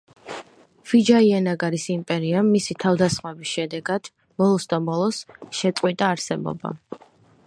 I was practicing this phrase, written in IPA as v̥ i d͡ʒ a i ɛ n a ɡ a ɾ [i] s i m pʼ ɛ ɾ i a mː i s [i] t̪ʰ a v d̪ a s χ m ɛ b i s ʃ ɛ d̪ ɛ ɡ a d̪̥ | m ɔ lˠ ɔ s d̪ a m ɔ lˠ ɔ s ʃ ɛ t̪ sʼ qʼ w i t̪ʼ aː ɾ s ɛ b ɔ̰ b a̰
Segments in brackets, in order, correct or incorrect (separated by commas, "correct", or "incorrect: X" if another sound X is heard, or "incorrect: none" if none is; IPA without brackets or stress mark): correct, correct